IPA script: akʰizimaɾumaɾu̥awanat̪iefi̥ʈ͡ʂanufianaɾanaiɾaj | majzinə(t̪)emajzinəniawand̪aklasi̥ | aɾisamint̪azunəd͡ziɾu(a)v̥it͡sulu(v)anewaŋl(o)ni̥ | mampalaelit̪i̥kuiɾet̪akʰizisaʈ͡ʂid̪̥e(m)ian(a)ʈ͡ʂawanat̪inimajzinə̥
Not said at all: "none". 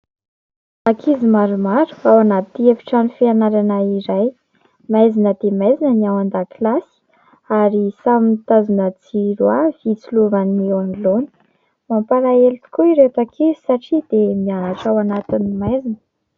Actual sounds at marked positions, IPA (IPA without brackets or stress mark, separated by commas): d̪, a, v, o, m, a